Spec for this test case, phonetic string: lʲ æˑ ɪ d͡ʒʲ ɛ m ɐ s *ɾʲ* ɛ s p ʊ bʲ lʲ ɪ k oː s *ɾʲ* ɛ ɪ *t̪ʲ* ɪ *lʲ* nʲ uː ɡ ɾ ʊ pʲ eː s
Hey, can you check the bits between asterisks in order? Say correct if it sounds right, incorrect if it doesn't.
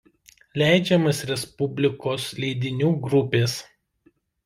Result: correct, incorrect: lʲ, incorrect: d̪ʲ, incorrect: none

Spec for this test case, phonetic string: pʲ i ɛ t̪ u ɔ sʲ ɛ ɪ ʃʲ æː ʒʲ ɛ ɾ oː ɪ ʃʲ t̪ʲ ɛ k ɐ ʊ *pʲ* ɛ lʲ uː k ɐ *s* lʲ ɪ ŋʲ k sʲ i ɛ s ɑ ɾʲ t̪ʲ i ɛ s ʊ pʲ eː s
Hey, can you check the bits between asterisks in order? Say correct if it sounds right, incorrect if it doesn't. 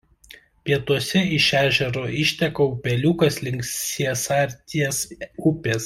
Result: correct, correct

